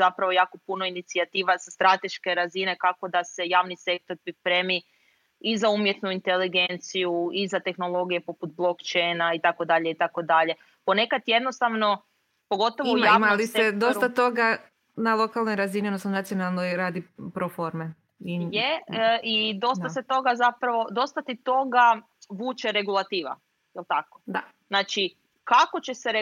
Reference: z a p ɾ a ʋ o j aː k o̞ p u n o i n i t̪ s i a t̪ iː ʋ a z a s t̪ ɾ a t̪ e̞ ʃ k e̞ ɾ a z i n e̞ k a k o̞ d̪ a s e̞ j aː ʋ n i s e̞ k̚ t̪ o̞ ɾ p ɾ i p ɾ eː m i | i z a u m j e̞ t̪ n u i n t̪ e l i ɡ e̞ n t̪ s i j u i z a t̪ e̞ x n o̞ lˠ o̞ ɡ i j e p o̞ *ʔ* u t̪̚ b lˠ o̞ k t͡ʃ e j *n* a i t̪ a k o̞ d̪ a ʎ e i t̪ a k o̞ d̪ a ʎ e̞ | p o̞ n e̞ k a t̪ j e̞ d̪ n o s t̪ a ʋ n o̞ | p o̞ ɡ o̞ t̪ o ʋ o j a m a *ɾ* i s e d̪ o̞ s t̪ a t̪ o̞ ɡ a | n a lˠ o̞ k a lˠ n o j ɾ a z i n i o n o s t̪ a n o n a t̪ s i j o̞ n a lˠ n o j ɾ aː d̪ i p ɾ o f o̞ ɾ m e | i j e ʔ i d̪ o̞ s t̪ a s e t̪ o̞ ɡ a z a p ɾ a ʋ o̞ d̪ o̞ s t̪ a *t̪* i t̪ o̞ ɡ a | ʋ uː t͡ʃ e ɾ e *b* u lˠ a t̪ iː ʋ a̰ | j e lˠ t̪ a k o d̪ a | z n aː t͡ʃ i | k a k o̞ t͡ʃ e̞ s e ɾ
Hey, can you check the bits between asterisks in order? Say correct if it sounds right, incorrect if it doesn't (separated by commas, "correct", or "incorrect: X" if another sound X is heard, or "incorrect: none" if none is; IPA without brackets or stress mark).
incorrect: p, correct, incorrect: l, correct, incorrect: ɡ